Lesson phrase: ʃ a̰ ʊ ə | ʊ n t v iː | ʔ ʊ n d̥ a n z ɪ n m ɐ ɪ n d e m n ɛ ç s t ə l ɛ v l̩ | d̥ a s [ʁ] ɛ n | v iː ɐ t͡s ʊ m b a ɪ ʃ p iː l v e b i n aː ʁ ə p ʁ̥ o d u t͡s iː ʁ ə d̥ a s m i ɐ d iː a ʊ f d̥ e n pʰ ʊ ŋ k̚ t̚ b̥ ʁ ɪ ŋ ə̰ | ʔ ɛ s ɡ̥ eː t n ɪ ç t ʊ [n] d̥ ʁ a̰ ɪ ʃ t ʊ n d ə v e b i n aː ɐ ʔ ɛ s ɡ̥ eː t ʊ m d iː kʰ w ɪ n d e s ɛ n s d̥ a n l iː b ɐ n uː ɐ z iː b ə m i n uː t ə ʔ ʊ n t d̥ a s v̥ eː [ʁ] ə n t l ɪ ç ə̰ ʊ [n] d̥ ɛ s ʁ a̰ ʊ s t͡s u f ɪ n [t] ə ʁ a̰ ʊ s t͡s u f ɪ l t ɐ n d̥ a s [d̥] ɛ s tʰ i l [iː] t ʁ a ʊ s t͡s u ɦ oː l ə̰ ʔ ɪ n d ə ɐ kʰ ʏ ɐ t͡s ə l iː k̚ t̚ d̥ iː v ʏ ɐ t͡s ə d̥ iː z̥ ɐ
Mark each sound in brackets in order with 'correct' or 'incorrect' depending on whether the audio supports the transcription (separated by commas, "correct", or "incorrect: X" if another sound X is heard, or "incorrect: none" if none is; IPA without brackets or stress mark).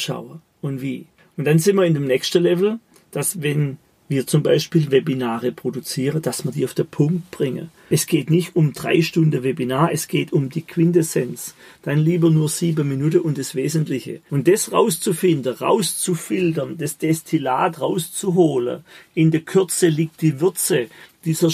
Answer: incorrect: v, incorrect: m, incorrect: z, correct, incorrect: d, correct, incorrect: aː